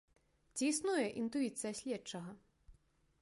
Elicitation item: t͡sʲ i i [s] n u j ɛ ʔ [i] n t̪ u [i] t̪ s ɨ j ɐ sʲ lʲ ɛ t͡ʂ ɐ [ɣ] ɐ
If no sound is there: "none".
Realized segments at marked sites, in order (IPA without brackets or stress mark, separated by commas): s, i, i, ɣ